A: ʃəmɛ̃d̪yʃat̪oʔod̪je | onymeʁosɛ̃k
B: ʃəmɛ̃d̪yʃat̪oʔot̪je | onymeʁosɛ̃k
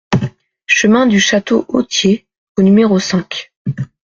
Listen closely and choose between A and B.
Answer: B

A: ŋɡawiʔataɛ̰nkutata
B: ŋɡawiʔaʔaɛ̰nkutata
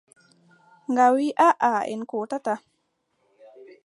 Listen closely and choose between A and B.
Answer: B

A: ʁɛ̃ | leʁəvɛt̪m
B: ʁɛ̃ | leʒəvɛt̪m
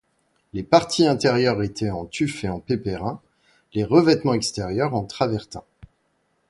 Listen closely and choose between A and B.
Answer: A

